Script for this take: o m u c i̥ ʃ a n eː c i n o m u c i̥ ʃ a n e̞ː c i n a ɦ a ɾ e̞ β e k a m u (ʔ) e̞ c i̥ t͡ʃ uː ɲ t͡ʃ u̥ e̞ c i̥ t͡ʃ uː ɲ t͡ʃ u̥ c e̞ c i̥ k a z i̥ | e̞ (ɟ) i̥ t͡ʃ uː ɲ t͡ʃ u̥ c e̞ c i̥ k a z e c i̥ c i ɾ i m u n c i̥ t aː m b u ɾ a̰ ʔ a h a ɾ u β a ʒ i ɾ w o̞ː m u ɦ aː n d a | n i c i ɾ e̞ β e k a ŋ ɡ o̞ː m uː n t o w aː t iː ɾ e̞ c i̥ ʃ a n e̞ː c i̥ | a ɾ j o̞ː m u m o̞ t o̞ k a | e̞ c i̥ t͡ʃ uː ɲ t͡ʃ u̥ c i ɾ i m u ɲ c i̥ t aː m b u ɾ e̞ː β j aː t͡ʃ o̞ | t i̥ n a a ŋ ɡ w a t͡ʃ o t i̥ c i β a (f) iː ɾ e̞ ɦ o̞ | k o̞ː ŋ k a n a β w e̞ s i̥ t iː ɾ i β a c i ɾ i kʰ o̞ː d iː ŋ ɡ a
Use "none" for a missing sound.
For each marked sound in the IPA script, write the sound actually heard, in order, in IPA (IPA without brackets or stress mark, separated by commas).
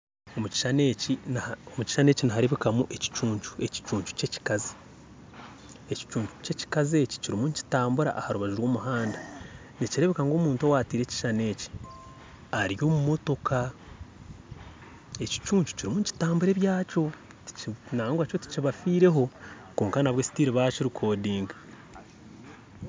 ʔ, c, f